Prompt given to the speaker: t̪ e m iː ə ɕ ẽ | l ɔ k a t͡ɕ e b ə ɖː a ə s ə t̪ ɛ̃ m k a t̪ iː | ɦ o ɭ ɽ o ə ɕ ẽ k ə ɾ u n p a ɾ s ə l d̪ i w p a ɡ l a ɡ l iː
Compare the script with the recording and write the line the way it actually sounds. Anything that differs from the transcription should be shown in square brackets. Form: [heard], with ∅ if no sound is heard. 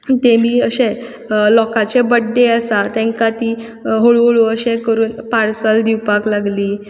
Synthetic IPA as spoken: t̪ e m iː ə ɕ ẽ | l ɔ k a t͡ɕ e b ə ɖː [e] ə s [a] t̪ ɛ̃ [ŋ] k a t̪ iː | ɦ o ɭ [ɭ] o ə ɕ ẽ k ə ɾ [uː] n p a ɾ s ə l d̪ i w p a [k] l a ɡ l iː